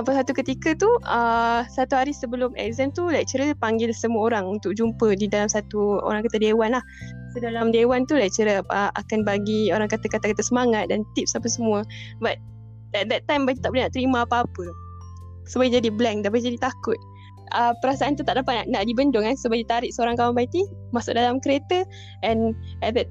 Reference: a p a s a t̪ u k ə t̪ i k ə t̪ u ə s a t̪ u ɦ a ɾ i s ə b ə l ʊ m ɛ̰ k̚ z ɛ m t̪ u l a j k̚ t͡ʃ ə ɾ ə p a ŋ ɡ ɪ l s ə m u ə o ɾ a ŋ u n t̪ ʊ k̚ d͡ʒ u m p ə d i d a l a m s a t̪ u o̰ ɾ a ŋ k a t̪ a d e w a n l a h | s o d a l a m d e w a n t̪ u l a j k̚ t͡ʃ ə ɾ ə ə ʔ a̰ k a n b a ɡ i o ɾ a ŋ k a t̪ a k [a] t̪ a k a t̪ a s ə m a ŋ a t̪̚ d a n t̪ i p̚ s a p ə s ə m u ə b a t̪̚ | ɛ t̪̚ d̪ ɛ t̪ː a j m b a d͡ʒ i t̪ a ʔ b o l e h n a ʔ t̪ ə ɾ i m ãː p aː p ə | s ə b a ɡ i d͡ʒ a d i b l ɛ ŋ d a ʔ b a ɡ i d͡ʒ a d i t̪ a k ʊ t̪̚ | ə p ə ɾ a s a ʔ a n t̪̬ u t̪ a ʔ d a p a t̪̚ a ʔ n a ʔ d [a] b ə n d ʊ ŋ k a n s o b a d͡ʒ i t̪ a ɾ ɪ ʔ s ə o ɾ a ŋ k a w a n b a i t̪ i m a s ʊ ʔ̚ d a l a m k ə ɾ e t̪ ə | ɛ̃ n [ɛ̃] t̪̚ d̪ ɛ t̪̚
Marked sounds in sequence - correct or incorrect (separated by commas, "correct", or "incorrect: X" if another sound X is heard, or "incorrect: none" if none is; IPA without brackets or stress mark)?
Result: correct, incorrect: i, incorrect: ɛ